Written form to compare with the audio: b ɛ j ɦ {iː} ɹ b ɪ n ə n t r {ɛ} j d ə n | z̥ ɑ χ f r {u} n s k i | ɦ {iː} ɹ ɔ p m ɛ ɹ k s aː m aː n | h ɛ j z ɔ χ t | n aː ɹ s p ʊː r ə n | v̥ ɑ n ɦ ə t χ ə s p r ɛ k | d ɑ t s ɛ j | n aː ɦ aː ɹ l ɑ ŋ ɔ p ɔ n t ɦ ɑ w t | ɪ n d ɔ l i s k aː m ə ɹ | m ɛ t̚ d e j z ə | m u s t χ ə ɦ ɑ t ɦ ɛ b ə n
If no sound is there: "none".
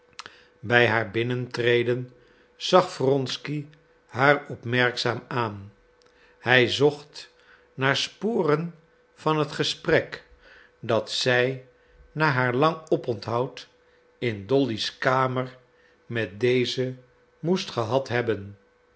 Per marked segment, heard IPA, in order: aː, e, ɔ, aː

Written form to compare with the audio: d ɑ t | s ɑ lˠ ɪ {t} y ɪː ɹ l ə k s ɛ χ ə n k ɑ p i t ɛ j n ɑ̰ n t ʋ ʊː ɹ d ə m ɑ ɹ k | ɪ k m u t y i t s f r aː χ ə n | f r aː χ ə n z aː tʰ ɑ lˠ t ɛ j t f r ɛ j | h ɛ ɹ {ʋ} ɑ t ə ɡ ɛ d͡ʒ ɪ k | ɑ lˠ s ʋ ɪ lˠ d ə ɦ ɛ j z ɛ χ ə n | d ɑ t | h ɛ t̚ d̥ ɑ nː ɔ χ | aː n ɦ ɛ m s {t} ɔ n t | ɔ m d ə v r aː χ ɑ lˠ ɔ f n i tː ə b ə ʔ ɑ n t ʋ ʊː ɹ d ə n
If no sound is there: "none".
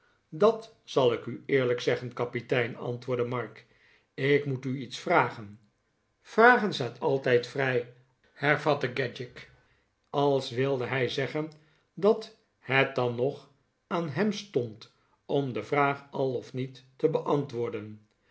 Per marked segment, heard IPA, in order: k, v, t

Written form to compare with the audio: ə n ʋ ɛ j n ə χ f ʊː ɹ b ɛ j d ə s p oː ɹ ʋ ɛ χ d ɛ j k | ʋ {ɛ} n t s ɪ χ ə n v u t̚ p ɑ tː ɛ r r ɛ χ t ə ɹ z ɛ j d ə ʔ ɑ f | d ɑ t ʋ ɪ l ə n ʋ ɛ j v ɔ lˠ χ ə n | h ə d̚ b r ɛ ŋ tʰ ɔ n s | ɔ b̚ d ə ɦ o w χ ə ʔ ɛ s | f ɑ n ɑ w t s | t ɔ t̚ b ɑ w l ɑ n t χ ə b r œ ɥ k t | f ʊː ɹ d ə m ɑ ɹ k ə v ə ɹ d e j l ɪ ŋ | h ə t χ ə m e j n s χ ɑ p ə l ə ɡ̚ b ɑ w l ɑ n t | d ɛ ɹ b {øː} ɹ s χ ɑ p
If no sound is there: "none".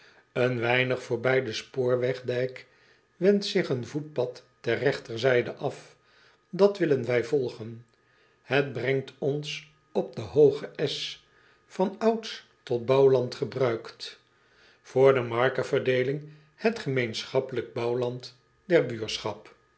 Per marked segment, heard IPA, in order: ɛ, yː

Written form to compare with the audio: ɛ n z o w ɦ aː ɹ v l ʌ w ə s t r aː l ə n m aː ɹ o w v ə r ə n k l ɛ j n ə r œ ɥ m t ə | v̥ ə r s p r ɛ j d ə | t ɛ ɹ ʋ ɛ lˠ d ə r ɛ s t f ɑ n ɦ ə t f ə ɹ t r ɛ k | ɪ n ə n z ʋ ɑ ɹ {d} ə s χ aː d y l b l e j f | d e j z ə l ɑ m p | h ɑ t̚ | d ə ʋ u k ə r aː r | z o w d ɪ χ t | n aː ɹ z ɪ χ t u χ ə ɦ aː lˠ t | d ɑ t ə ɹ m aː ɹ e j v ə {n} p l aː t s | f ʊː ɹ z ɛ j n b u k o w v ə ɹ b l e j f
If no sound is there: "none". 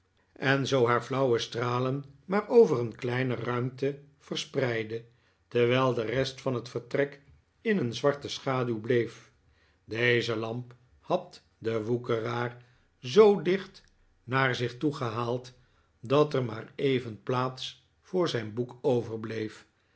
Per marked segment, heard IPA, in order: t, n

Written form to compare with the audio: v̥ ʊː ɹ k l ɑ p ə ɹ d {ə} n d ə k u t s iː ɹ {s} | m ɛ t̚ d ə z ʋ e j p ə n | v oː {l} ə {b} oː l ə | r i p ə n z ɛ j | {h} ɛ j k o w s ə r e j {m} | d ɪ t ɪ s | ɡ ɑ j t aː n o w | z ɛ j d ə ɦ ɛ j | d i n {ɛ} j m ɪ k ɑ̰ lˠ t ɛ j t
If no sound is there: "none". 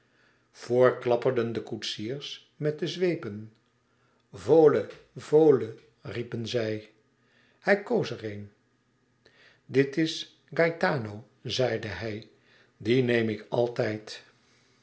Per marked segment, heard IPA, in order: ə, s, l, v, h, n, e

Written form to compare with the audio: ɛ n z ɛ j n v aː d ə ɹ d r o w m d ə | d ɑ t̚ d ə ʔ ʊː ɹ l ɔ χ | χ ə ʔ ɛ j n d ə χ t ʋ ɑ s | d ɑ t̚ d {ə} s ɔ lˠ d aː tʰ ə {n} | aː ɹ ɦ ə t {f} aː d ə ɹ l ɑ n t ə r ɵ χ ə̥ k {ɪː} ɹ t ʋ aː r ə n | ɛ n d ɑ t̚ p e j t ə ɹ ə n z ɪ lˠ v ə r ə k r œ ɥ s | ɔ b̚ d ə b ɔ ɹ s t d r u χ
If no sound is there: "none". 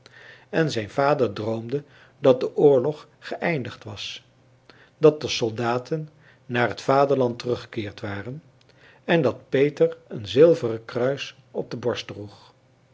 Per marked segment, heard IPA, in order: ə, nː, f, ɪː

